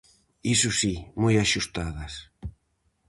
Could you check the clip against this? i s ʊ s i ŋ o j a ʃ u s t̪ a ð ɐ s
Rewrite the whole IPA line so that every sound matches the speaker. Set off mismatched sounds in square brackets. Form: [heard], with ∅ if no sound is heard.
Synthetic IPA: i s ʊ s i [m] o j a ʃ u s t̪ a ð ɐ s